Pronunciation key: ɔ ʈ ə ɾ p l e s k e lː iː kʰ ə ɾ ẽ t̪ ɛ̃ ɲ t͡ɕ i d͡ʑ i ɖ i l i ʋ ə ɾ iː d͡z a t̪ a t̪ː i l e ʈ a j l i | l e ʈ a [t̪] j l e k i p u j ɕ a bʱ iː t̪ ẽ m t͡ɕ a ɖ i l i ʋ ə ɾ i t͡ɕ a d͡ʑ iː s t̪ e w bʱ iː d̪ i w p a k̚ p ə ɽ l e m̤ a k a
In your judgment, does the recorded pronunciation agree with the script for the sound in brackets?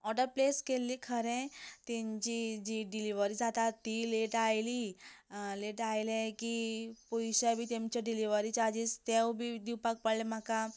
no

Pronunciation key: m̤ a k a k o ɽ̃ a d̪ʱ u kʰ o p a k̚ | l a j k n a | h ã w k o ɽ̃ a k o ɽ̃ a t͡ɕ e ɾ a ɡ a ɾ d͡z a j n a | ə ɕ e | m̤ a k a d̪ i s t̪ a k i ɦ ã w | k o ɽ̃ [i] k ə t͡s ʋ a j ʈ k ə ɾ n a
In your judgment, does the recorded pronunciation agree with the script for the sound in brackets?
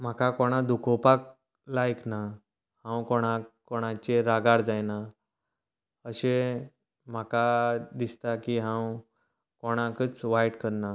no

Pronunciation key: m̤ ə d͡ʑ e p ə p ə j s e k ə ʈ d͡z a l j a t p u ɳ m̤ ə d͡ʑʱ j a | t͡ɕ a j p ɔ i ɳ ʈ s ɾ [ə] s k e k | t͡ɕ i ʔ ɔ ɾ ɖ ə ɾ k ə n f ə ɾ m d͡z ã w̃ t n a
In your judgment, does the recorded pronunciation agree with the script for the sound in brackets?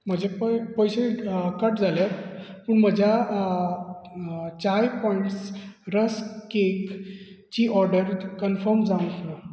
yes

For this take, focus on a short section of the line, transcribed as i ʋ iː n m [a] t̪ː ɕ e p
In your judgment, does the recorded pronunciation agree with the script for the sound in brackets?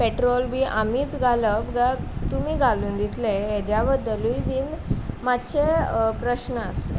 yes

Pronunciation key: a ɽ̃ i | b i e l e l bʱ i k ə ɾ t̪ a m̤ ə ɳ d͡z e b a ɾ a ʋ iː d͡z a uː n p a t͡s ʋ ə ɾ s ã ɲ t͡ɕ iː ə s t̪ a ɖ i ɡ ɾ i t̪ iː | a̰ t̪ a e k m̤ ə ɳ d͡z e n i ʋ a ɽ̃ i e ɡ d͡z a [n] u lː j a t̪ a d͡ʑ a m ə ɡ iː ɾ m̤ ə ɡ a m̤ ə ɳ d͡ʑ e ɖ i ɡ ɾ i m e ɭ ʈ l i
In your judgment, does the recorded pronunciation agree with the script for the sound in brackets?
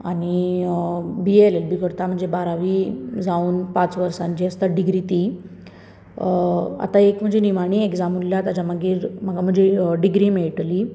no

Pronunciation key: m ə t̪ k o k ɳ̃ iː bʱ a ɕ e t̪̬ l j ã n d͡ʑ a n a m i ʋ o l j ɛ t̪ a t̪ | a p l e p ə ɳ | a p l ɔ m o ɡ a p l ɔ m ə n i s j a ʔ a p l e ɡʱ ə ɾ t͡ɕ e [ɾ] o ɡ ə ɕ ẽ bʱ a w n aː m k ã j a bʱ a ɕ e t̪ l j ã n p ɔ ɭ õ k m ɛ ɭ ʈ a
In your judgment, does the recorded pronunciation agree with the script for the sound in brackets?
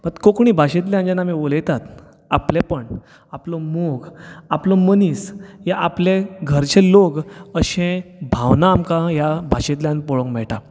no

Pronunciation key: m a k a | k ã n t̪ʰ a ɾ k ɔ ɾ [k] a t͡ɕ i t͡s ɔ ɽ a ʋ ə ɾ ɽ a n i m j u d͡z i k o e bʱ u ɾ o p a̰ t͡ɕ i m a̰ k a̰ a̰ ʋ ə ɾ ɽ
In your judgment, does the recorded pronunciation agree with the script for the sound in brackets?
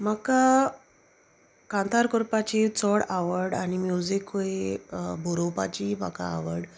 no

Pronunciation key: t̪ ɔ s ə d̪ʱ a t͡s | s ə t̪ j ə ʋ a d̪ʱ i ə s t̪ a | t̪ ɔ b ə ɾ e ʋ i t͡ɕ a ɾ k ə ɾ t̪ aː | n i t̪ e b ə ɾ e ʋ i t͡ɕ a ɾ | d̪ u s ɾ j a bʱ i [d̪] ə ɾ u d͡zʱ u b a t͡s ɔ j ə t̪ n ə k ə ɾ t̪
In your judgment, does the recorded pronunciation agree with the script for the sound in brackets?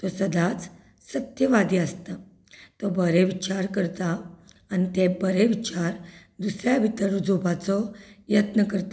no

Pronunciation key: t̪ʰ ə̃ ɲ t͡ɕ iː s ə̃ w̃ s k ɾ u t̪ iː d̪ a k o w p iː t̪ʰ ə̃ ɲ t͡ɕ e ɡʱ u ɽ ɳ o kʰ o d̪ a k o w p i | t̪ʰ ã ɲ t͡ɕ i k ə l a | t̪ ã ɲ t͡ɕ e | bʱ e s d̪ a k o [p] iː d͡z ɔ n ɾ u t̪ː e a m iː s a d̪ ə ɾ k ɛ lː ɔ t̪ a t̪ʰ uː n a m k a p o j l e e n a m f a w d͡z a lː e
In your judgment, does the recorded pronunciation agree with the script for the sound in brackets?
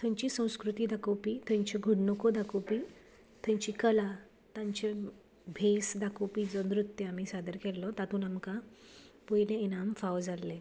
yes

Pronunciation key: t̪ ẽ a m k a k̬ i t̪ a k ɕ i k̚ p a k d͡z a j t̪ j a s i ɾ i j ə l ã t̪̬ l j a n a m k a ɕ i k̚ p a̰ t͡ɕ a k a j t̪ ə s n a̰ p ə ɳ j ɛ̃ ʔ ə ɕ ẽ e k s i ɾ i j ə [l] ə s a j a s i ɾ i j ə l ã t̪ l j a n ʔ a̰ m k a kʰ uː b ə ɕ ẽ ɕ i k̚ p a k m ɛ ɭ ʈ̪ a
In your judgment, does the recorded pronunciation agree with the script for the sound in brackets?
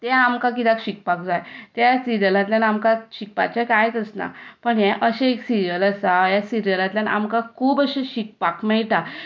yes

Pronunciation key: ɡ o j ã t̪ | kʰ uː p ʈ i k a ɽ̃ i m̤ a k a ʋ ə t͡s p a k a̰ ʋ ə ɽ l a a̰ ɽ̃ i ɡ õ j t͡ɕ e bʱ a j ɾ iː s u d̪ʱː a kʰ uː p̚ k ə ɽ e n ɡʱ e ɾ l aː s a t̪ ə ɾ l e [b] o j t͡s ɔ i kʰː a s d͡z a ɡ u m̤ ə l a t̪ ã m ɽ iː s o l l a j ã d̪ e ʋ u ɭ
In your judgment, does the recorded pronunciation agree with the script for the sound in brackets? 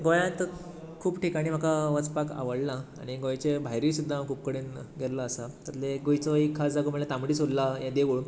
no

